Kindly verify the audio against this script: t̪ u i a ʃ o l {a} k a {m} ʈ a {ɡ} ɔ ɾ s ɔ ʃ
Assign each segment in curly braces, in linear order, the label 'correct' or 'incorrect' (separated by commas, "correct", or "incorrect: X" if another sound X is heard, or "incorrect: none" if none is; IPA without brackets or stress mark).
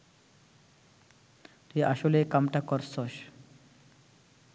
incorrect: e, correct, incorrect: k